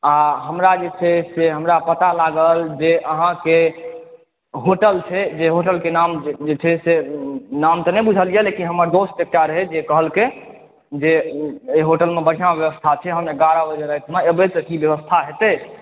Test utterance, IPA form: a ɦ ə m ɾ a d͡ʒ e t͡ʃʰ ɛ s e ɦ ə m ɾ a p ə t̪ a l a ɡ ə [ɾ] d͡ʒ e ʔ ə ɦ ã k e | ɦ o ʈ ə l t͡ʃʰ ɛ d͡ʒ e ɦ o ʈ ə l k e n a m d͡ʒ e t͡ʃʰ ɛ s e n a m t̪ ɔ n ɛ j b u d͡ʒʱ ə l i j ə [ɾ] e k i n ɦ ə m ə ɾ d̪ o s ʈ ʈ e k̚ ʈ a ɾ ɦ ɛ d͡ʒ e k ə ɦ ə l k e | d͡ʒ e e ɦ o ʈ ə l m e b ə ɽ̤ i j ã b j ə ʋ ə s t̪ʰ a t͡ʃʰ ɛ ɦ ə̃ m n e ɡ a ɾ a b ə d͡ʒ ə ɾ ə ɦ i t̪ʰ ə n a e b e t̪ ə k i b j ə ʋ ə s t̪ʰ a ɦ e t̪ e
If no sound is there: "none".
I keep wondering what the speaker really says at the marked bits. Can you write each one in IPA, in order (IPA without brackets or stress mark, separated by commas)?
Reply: l, l